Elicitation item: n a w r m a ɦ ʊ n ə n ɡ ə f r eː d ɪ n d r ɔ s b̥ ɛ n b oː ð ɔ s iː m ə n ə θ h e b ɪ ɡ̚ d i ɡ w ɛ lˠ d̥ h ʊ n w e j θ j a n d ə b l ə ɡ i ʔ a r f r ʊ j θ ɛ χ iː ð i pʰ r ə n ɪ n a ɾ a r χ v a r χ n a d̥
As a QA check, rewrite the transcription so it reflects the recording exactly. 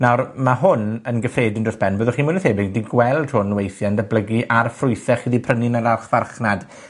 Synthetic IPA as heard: n a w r m a ɦ ʊ n ə n ɡ ə f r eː d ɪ n d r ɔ s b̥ ɛ n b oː ð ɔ χ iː m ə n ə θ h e b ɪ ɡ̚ d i ɡ w ɛ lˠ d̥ h ʊ n w e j θ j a n d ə b l ə ɡ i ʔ a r f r ʊ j θ ɛ χ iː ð i pʰ r ə n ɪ n a ɾ a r χ v a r χ n a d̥

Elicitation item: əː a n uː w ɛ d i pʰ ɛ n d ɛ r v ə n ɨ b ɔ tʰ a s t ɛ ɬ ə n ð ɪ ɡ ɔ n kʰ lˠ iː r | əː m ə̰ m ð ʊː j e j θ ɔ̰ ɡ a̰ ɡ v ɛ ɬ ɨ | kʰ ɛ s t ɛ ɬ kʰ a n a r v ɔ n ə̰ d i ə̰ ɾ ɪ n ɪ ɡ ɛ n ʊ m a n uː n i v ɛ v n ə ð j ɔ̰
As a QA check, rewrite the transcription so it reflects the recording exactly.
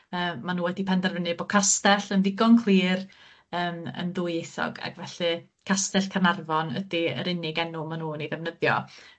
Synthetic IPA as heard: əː a n uː w ɛ d i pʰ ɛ n d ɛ r v ə n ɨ b ɔ kʰ a s t ɛ ɬ ə n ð ɪ ɡ ɔ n kʰ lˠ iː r | əː m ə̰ n ð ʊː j e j θ ɔ̰ ɡ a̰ ɡ v ɛ ɬ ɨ | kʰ a s t ɛ ɬ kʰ a n a r v ɔ n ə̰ d i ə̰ ɾ ɪ n ɪ ɡ ɛ n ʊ m a n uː n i ð ɛ v n ə ð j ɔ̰

